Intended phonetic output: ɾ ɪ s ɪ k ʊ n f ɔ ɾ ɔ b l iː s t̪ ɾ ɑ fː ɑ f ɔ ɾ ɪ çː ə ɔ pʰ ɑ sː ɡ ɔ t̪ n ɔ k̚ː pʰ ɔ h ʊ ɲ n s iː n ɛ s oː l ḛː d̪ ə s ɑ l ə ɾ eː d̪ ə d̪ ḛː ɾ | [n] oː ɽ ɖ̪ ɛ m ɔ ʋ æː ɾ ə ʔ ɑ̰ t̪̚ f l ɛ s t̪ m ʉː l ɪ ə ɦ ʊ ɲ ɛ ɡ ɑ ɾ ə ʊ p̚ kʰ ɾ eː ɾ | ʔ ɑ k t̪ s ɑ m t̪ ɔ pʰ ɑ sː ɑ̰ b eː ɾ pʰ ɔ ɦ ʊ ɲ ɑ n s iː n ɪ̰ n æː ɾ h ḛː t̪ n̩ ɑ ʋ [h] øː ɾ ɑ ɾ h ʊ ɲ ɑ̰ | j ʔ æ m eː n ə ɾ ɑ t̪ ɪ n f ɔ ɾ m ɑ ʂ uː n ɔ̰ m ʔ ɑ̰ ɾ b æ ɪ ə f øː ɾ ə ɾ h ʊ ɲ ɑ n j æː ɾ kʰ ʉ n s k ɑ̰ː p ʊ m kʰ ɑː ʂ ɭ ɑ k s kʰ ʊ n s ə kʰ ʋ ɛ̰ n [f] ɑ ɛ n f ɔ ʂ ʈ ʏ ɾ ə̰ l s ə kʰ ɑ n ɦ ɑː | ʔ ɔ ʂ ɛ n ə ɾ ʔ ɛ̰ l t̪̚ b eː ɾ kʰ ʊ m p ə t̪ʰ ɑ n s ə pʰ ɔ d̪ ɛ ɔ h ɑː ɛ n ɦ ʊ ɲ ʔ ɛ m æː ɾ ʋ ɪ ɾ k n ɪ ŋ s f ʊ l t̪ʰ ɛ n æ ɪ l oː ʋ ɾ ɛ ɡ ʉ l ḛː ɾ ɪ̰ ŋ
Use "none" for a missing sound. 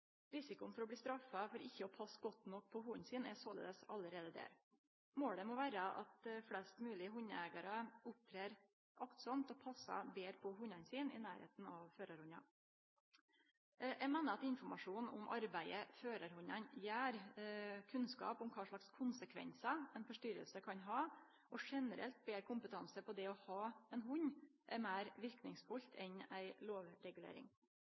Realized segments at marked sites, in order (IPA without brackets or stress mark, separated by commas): m, f, s